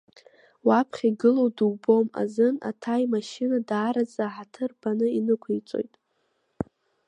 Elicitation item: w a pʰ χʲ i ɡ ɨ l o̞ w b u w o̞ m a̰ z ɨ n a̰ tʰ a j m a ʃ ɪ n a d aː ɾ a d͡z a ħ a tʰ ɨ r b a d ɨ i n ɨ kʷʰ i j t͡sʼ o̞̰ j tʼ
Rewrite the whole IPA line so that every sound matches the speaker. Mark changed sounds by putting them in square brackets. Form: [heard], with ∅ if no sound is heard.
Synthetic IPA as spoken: w a pʰ χʲ i ɡ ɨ l o̞ w [d] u [b] o̞ m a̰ z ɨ n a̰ tʰ a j m a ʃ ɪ n a d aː ɾ a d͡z a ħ a tʰ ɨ r b a [n] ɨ i n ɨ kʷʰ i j t͡sʼ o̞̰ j tʼ